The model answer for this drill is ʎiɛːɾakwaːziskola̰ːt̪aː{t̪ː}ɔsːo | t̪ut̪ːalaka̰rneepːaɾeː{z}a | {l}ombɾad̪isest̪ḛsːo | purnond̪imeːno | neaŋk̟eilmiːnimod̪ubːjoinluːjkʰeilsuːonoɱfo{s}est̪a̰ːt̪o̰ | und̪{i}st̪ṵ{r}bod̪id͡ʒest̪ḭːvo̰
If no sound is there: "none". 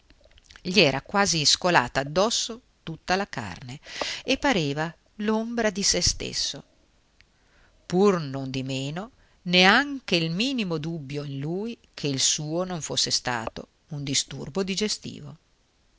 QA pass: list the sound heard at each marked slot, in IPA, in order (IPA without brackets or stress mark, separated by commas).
d̪ː, v, l, sː, i, r